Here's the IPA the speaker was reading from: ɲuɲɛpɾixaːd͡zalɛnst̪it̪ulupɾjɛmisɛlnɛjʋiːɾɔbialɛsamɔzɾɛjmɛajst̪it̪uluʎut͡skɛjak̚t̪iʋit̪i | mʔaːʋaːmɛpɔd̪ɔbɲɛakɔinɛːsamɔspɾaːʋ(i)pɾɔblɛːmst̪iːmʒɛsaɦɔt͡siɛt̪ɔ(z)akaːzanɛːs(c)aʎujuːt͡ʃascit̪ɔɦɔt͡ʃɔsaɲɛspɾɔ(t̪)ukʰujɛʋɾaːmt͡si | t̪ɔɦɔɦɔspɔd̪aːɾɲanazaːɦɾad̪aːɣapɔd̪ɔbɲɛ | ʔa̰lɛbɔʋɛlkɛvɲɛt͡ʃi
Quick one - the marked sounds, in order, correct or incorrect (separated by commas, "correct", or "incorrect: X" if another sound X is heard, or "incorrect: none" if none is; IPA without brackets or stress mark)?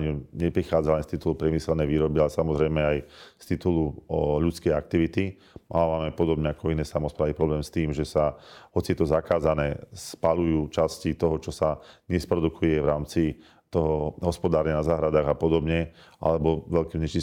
correct, correct, incorrect: p, incorrect: d̪